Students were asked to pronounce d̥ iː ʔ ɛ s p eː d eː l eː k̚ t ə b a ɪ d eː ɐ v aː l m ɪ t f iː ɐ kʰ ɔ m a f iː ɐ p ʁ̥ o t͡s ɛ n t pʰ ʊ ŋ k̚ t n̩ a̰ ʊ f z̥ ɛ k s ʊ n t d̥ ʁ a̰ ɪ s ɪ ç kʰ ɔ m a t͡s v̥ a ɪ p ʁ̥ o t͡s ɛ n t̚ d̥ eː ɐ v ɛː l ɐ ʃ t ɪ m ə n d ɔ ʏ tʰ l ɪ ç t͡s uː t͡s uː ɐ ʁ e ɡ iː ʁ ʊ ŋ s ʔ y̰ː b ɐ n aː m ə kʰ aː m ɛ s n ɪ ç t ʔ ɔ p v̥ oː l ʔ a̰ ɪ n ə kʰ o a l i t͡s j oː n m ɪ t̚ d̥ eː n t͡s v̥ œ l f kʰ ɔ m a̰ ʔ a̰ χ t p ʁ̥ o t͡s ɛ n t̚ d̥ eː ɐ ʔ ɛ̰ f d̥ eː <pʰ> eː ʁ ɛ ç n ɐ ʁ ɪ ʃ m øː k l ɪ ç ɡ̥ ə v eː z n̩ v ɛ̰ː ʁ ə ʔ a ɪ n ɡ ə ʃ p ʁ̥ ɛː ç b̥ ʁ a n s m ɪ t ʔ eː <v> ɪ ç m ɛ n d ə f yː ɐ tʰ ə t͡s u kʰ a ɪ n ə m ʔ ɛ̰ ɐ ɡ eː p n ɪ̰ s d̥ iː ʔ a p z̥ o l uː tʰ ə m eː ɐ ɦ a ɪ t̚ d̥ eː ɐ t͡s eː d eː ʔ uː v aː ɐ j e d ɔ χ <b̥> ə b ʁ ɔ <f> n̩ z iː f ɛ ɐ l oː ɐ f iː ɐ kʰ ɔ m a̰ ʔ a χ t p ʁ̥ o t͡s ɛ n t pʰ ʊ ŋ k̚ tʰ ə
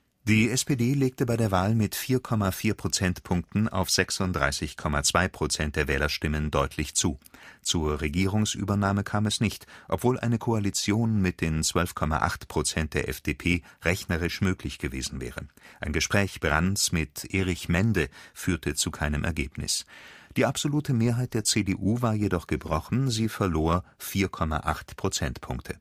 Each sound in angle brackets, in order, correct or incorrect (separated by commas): correct, incorrect, incorrect, incorrect